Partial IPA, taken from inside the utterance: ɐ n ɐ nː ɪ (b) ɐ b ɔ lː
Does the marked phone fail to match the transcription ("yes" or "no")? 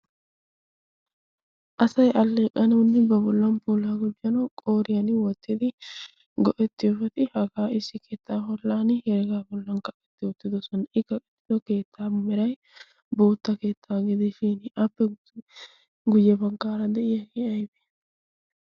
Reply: no